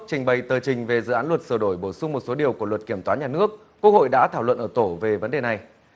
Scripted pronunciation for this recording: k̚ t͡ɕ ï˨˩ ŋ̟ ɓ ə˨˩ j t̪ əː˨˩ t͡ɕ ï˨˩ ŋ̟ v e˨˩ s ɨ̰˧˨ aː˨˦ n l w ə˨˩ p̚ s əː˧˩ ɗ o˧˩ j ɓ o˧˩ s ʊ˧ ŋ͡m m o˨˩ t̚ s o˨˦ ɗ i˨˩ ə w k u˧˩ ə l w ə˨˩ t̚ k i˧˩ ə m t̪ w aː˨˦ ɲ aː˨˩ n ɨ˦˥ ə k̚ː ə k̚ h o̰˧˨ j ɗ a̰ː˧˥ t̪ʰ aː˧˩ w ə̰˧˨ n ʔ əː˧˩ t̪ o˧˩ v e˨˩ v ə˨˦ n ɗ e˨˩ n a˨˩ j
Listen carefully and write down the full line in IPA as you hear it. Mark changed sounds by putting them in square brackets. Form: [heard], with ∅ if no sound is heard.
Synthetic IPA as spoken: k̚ t͡ɕ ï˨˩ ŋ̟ ɓ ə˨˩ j t̪ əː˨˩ t͡ɕ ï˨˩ ŋ̟ v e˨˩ [z] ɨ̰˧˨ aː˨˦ n l w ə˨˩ [t̚] s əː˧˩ ɗ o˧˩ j ɓ o˧˩ s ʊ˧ ŋ͡m m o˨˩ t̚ s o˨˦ ɗ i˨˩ ə w k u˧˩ ə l w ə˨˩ t̚ k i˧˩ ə m t̪ w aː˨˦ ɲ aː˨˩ n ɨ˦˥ ə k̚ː ə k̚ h o̰˧˨ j ɗ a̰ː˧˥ t̪ʰ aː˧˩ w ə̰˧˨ n ʔ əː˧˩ t̪ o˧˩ v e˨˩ v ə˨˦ n ɗ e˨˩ n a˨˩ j

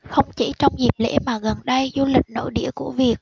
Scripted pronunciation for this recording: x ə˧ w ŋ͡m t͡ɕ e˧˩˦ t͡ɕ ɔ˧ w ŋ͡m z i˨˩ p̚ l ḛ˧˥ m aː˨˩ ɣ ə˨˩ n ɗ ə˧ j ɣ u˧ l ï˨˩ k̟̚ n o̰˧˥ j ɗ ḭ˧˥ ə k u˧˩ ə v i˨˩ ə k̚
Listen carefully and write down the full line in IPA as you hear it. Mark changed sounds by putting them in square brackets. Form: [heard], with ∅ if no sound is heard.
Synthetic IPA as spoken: x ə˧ w ŋ͡m t͡ɕ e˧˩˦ t͡ɕ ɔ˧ w ŋ͡m z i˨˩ p̚ l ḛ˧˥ m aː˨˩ ɣ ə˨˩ n ɗ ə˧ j [z] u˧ l ï˨˩ k̟̚ n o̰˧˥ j ɗ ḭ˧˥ ə k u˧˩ ə v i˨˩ ə k̚

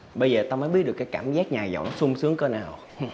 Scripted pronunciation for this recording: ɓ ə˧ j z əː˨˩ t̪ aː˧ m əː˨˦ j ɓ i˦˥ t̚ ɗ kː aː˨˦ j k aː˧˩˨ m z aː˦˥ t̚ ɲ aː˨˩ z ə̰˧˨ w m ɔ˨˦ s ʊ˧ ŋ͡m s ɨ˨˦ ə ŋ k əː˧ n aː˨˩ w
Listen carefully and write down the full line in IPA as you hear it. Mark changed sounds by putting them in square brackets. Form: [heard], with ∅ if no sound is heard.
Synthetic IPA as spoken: ɓ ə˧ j z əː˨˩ t̪ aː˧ m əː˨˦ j ɓ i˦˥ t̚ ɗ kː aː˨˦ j k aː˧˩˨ m z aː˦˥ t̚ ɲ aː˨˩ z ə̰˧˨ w [n] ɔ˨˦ s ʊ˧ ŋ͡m s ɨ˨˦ ə ŋ k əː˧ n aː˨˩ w

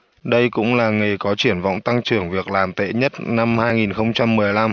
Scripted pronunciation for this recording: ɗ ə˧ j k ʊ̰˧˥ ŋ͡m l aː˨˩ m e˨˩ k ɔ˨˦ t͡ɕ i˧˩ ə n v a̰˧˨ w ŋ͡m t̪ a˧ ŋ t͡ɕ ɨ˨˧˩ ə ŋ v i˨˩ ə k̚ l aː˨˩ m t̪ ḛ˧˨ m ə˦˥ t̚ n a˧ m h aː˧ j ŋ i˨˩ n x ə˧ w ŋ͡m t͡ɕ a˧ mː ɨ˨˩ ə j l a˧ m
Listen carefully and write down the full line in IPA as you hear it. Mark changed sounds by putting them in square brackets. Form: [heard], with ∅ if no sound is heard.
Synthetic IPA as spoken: ɗ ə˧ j k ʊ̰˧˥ ŋ͡m l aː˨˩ [ŋ] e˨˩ k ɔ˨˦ t͡ɕ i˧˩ ə n v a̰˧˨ w ŋ͡m t̪ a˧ ŋ t͡ɕ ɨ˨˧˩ ə ŋ v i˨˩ ə k̚ l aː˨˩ m t̪ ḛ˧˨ [ɲ] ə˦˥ t̚ n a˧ m h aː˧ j ŋ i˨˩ n x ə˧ w ŋ͡m t͡ɕ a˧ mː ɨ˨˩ ə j l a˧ m

